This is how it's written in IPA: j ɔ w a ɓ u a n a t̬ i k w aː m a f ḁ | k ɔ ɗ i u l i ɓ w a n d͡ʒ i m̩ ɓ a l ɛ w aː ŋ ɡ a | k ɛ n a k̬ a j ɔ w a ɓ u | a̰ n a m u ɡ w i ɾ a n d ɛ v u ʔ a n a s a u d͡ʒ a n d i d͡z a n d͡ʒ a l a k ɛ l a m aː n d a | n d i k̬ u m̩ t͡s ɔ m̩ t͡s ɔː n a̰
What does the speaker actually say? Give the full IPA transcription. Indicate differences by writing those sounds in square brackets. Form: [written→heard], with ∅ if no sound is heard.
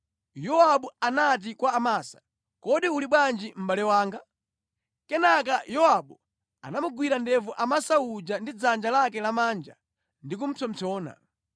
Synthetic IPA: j ɔ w a ɓ u a n a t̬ i k w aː m a [f→s] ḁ | k ɔ ɗ i u l i ɓ w a n d͡ʒ i m̩ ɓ a l ɛ w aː ŋ ɡ a | k ɛ n a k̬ a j ɔ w a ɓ u | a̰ n a m u ɡ w i ɾ a n d ɛ v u ʔ a [n→m] a s a u d͡ʒ a n d i d͡z a n d͡ʒ a l a k ɛ l a m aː n [d→d͡ʒ] a | n d i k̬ u m̩ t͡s ɔ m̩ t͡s ɔː n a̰